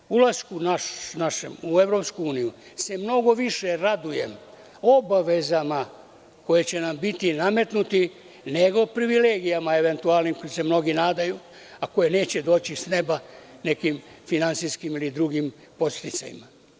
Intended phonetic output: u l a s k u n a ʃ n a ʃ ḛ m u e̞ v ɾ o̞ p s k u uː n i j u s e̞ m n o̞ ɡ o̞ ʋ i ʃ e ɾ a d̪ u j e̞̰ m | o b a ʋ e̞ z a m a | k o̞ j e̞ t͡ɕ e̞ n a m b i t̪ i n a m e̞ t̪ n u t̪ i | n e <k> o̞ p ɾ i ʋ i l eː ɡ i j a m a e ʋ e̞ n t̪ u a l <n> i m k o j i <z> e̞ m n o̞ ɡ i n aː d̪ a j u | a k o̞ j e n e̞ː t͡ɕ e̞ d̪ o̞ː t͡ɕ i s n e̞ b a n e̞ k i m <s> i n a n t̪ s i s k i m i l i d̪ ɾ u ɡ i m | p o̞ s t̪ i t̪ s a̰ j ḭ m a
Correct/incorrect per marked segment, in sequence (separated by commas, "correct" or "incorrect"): incorrect, correct, incorrect, incorrect